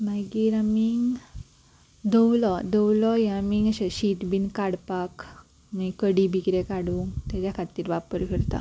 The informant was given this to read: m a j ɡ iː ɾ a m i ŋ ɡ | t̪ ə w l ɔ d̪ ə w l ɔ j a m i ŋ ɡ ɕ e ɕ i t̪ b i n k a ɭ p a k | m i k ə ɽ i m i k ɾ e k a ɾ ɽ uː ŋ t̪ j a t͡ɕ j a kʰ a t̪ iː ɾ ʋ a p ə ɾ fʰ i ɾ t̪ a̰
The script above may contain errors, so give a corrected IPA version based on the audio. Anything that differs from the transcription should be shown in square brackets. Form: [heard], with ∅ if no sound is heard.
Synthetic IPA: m a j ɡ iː ɾ a m i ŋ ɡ | [d̪] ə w l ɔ d̪ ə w l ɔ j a m i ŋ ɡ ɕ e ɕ i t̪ b i n k a [ɽ] p a k | m i k ə ɽ i [b] i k ɾ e k a [∅] ɽ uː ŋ t̪ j a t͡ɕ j a kʰ a t̪ iː ɾ ʋ a p ə ɾ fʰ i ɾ t̪ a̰